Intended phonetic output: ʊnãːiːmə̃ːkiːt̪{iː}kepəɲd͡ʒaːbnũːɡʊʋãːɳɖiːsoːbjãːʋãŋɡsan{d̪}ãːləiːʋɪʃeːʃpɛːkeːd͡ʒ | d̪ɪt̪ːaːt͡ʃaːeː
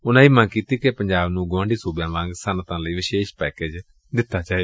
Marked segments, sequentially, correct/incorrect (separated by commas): correct, incorrect